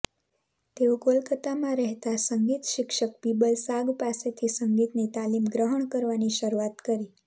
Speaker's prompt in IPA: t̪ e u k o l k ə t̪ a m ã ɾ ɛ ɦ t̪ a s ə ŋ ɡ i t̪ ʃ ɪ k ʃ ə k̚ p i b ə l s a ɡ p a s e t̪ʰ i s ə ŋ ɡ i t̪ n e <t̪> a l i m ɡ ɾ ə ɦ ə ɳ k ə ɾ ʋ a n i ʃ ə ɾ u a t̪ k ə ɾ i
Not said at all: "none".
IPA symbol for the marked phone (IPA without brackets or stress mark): t̪